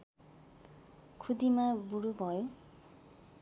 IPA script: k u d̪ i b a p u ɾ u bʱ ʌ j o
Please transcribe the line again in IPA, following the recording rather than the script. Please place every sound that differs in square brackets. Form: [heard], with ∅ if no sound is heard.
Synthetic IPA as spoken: [kʰ] u d̪ i [m] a [b] u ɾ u bʱ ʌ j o